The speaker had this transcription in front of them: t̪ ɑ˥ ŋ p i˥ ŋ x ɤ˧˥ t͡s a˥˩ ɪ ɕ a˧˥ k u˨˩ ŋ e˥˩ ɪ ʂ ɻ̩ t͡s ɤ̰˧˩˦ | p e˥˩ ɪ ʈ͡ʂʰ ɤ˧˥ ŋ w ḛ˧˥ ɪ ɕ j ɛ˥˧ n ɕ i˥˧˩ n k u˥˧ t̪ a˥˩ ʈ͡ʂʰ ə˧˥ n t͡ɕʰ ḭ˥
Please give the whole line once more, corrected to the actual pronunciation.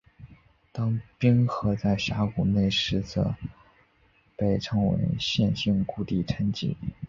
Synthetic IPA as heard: t̪ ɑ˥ ŋ p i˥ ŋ x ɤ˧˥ t͡s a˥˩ ɪ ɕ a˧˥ k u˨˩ n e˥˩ ɪ ʂ ɻ̩ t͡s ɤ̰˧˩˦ | p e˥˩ ɪ ʈ͡ʂʰ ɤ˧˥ ŋ w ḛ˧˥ ɪ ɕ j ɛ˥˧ n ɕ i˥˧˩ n k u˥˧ t̪ i˥˩ ʈ͡ʂʰ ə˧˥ n t͡ɕ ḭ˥

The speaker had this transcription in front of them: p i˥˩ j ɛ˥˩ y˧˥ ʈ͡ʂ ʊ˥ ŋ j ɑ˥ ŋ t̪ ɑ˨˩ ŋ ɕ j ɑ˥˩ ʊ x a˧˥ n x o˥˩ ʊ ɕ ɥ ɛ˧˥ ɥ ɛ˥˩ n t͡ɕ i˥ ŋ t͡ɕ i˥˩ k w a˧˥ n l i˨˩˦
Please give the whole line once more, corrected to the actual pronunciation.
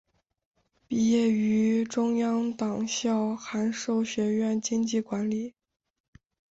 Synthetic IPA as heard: p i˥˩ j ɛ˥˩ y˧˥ ʈ͡ʂ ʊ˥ ŋ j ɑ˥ ŋ t̪ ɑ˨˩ ŋ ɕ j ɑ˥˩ ʊ x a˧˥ n ʂ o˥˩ ʊ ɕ ɥ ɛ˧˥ ɥ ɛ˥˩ n t͡ɕ i˥ ŋ t͡ɕ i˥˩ k w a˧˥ n l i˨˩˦

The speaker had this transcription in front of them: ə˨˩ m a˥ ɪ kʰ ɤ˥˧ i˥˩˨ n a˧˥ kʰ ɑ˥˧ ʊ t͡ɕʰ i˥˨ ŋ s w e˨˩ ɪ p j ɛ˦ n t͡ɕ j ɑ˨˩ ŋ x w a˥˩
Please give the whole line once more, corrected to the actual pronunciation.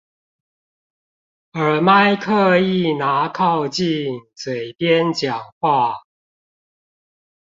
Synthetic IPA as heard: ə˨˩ m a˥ ɪ kʰ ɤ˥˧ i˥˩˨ n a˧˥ kʰ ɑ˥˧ ʊ t͡ɕ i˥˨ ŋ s w e˨˩ ɪ p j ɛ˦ n t͡ɕ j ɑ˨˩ ŋ x w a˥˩

